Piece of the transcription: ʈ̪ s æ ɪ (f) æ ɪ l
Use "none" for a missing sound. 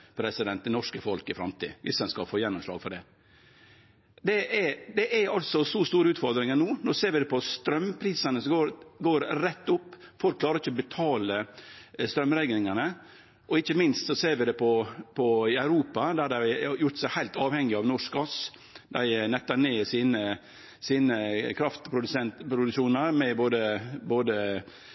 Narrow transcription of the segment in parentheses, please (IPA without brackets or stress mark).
h